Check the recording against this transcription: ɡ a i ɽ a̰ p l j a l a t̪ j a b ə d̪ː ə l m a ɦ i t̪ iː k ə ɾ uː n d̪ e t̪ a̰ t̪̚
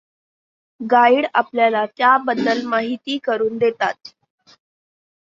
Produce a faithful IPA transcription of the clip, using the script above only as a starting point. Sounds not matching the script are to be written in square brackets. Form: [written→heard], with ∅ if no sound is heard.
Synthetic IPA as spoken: ɡ a i ɽ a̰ p l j a l a t̪ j a b ə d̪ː ə l m a ɦ i t̪ iː k ə ɾ uː n d̪ e t̪ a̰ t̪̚

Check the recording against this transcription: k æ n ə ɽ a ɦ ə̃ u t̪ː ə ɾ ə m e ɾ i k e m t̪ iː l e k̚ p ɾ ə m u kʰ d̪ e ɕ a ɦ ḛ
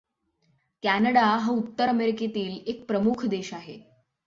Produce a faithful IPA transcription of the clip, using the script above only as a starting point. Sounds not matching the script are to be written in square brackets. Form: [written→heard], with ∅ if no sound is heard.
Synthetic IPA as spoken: k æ n ə ɽ a ɦ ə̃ u t̪ː ə ɾ ə m e ɾ i k e [m→∅] t̪ iː l e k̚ p ɾ ə m u kʰ d̪ e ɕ a ɦ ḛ

